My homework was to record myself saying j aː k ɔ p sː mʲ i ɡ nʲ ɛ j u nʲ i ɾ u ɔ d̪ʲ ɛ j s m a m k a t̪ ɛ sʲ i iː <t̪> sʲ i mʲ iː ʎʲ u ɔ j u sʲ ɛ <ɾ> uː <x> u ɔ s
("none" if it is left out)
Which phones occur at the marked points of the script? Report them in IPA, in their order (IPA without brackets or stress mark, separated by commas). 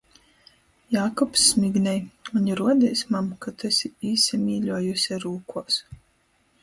none, ɾ, k